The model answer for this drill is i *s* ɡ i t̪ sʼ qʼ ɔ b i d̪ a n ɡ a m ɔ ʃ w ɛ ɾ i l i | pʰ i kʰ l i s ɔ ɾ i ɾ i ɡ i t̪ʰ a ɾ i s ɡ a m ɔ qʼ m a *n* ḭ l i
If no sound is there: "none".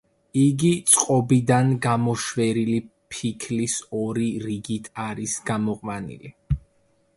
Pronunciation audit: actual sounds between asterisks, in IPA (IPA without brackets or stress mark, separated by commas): none, n